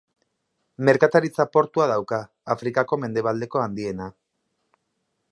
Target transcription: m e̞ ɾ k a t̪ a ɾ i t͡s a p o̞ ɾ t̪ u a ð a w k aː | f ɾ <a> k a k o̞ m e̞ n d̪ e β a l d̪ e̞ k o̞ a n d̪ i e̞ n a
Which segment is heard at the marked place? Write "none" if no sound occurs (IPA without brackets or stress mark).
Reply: i